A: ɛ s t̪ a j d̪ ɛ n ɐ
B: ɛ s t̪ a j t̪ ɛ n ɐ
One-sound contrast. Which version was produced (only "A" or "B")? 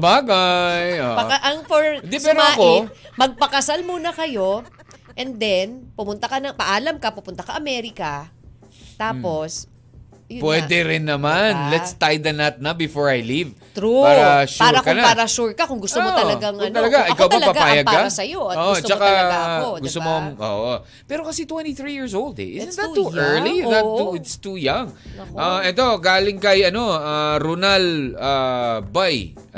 A